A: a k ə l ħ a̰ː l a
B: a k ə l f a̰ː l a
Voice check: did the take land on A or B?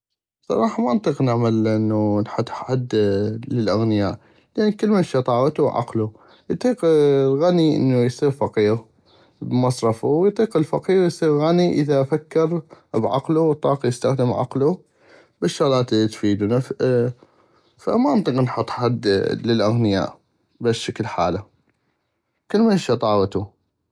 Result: A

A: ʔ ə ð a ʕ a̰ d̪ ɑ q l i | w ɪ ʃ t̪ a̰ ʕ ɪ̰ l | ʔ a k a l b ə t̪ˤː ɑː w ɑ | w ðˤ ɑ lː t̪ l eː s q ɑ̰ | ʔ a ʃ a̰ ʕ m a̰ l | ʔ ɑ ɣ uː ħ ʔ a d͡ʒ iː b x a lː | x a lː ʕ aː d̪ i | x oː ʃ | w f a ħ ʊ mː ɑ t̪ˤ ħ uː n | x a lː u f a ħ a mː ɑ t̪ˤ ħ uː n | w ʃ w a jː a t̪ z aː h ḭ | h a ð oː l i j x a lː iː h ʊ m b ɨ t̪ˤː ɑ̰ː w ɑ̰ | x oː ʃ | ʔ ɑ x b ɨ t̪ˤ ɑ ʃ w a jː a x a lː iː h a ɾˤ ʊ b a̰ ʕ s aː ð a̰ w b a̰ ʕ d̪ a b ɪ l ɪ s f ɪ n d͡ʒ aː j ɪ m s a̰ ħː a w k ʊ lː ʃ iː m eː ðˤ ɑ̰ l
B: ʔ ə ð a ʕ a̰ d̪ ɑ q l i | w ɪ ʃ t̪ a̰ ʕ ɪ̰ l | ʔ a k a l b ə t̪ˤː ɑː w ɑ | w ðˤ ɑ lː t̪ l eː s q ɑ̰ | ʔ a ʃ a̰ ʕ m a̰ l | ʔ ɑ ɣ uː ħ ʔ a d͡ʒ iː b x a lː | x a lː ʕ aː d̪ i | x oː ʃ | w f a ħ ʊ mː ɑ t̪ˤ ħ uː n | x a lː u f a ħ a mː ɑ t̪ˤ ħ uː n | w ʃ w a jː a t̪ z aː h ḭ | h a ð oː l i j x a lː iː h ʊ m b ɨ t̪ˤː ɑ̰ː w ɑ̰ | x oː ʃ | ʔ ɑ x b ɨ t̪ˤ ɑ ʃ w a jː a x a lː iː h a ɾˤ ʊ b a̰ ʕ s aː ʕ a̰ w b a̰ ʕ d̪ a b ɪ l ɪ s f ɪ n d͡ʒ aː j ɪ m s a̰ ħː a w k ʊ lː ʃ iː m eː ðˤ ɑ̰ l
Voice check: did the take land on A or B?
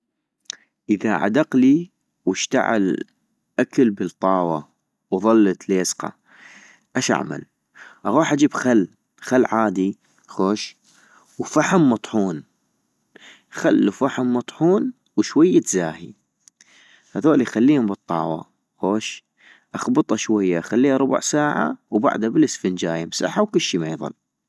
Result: B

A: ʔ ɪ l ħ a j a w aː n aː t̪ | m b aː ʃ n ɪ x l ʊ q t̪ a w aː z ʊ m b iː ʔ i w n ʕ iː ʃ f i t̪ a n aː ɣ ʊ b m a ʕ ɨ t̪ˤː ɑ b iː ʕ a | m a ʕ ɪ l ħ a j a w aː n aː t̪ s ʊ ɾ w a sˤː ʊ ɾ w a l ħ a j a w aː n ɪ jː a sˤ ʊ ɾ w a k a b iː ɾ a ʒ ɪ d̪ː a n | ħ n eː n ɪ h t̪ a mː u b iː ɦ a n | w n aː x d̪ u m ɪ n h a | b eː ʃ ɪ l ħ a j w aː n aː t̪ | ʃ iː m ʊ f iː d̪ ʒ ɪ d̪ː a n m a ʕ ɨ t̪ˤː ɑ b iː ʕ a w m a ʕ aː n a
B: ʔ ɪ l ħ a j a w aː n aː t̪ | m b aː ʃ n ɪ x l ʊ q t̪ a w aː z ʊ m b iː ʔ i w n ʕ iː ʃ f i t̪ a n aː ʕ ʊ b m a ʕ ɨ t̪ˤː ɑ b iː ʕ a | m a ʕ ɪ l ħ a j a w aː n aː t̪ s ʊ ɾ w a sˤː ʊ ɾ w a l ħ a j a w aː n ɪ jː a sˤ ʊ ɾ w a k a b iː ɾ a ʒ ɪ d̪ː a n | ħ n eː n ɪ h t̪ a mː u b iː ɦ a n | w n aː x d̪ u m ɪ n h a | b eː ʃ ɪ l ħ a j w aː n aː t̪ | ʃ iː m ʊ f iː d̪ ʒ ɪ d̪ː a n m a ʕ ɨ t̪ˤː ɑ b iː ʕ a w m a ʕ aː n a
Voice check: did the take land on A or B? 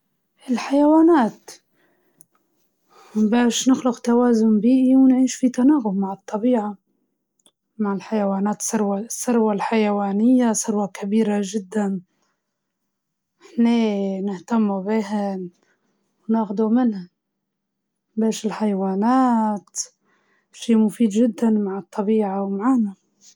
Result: A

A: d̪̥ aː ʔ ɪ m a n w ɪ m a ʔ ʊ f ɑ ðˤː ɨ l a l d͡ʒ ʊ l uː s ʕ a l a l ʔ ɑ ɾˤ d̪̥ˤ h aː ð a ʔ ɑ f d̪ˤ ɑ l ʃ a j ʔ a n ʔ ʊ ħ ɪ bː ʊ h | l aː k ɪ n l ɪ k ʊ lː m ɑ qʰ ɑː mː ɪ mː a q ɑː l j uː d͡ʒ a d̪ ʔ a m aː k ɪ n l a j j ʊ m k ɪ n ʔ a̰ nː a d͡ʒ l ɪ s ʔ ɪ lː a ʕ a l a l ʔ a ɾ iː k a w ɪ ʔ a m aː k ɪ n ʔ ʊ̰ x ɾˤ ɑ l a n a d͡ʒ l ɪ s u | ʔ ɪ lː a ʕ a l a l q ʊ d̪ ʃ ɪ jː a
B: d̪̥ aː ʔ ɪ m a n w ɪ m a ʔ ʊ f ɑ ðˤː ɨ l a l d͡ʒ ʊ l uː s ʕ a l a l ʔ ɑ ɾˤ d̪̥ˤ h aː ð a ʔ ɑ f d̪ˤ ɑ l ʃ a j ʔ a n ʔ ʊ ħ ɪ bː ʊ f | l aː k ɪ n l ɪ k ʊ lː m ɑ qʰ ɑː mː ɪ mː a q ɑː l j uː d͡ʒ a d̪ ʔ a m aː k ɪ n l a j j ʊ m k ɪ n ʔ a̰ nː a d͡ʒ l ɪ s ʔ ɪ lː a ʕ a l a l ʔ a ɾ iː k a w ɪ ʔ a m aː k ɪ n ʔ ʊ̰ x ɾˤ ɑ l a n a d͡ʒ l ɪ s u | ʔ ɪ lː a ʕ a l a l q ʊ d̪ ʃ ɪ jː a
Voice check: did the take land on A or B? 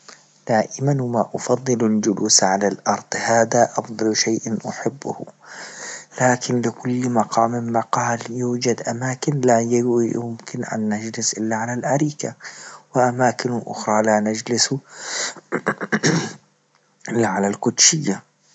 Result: A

